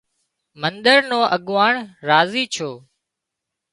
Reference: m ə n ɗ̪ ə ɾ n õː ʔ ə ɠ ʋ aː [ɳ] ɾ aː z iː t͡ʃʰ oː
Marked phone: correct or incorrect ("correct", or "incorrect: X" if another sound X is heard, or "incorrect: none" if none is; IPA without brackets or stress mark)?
correct